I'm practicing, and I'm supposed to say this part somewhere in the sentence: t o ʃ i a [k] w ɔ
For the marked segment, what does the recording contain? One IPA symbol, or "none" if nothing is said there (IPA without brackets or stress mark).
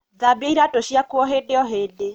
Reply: k